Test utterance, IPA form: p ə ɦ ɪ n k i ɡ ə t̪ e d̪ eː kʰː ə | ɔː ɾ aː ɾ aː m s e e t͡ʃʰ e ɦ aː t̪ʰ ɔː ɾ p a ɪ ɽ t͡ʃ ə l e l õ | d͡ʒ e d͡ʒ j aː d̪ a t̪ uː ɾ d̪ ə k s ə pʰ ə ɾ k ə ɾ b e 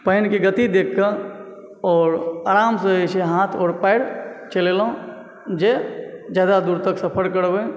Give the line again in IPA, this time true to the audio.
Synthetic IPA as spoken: p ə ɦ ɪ n k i ɡ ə t̪ i d̪ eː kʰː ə | ɔː ɾ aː ɾ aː m s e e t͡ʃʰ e ɦ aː t̪ʰ ɔː ɾ p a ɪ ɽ t͡ʃ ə l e l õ | d͡ʒ e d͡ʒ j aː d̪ a d̪ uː ɾ t̪ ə k s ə pʰ ə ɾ k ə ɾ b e